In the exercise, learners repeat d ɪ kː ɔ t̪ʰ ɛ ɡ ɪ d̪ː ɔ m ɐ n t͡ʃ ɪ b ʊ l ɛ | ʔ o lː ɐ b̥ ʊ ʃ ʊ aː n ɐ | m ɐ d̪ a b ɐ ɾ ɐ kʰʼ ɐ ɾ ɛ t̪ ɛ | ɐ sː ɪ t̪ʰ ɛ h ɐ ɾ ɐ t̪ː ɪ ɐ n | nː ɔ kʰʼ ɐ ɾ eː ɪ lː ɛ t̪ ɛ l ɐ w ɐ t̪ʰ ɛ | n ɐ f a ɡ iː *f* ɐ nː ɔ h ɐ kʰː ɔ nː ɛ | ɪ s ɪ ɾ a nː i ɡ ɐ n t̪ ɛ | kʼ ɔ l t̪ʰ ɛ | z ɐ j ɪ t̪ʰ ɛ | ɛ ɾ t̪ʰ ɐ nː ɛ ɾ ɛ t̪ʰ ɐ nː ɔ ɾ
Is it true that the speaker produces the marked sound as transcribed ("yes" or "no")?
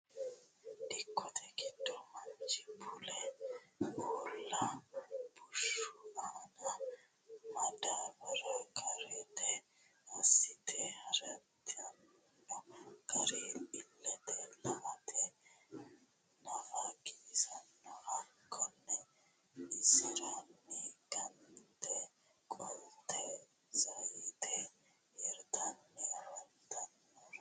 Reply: no